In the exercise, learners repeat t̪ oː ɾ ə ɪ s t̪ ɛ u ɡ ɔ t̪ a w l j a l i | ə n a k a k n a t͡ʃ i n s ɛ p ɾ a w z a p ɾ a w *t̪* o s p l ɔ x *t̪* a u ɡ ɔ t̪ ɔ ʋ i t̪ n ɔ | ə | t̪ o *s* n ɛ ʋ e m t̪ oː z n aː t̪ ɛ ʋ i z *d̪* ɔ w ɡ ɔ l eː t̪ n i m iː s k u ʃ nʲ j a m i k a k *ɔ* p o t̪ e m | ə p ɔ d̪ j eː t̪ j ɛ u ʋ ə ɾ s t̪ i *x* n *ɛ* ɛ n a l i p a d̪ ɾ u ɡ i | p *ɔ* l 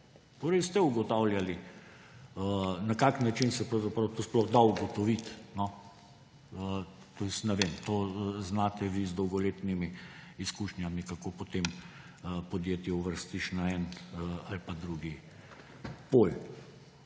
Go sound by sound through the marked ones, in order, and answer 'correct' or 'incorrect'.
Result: correct, incorrect: d̪, correct, correct, incorrect: o, incorrect: ʃ, incorrect: a, incorrect: o

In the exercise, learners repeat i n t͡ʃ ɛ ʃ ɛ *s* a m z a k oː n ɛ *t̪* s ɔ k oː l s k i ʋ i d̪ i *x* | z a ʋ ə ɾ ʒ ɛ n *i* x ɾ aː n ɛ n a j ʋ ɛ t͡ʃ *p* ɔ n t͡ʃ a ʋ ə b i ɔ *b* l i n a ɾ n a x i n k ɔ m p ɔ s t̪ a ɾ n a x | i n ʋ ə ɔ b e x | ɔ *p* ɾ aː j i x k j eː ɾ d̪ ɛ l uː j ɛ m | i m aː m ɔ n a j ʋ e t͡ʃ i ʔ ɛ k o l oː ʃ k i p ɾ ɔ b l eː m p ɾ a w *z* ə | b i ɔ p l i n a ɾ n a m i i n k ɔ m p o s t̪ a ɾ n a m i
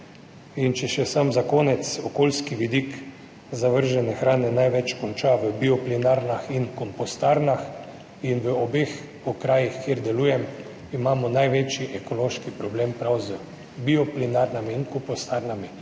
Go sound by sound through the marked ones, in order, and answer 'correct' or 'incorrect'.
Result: correct, correct, incorrect: k, incorrect: ɛ, incorrect: k, incorrect: p, incorrect: k, correct

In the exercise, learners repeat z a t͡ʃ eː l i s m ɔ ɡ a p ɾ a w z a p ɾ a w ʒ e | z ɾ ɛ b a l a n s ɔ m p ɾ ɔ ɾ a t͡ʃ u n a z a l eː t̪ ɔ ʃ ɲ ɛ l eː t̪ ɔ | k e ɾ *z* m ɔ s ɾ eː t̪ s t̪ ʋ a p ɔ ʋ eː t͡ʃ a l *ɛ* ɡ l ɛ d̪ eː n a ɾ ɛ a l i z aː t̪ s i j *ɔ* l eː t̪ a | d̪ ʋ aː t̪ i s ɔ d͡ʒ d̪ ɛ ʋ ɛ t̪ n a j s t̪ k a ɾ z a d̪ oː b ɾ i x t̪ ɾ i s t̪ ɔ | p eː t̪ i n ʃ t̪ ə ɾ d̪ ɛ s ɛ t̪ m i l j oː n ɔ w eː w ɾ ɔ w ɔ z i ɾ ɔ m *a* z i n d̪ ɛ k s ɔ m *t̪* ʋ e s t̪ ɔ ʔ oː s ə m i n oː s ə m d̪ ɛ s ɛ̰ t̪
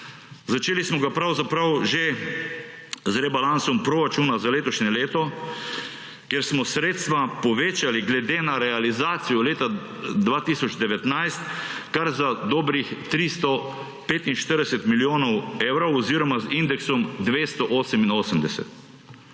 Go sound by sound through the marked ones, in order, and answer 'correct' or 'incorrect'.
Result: incorrect: s, incorrect: i, correct, correct, incorrect: d̪

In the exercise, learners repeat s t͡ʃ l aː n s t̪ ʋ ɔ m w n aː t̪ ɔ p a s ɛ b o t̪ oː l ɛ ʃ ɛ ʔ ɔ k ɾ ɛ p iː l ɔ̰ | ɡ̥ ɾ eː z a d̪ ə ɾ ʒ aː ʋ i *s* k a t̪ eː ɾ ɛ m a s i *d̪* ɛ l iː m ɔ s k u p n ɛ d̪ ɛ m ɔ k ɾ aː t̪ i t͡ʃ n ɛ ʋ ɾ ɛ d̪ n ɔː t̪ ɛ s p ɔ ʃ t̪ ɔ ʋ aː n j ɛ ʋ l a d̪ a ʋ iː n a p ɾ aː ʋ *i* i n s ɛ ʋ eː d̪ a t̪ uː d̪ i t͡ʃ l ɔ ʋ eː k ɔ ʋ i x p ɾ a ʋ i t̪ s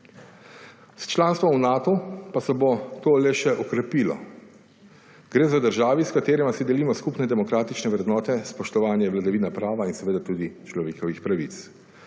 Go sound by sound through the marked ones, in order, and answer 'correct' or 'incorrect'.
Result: correct, correct, incorrect: a

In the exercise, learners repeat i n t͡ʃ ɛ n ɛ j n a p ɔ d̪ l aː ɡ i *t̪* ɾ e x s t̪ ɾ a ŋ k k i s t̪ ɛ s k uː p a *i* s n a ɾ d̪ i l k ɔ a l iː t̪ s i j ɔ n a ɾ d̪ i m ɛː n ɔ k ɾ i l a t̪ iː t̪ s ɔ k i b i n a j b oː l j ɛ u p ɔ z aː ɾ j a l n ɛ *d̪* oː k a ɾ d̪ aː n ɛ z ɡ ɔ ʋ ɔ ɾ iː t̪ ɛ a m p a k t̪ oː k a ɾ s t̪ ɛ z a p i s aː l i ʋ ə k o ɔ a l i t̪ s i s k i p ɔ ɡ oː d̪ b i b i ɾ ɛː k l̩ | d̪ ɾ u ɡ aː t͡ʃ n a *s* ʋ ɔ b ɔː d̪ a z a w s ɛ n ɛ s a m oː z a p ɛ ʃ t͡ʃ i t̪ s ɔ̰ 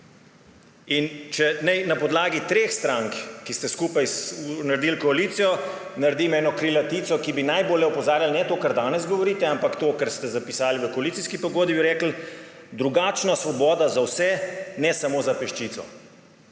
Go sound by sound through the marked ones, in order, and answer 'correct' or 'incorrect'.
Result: correct, incorrect: j, incorrect: t̪, correct

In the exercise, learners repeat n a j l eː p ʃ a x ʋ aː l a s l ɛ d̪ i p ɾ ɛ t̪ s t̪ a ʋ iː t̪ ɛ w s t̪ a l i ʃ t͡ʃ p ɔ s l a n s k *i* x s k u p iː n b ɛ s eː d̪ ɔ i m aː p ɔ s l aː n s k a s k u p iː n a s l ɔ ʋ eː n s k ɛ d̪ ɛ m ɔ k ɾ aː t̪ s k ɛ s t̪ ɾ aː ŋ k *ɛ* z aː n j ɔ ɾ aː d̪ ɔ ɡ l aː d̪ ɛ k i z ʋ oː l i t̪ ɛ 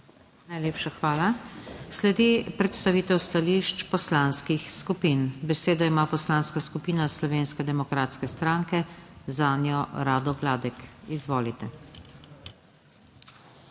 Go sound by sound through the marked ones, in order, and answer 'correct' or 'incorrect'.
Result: correct, correct

